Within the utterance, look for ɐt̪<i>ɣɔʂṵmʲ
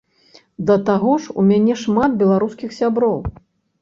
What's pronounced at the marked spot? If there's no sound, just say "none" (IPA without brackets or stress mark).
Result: a